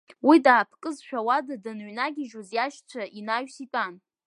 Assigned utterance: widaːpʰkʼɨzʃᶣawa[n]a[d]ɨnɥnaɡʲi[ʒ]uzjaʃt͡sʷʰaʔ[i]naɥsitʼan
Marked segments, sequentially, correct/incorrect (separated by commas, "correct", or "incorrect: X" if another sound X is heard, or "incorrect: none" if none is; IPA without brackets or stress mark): incorrect: d, correct, correct, correct